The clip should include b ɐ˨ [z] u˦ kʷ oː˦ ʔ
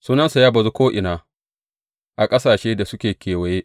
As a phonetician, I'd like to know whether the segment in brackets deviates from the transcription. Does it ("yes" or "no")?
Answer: no